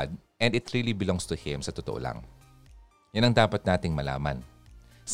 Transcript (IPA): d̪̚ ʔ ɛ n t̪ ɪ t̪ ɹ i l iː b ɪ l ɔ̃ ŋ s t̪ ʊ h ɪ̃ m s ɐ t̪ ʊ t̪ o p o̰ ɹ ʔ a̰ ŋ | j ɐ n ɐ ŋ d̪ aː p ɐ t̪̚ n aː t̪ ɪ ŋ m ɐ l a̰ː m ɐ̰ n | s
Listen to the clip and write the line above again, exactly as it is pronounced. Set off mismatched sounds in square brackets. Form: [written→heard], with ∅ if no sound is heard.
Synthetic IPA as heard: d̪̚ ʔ ɛ n [t̪→d̪] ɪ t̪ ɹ i l [iː→i] b ɪ l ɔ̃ ŋ s t̪ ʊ h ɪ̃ m s ɐ t̪ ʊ t̪ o [p→ʔ] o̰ [ɹ→l] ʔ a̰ ŋ | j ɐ n ɐ ŋ d̪ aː p ɐ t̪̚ n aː t̪ ɪ ŋ m ɐ l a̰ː m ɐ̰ n | s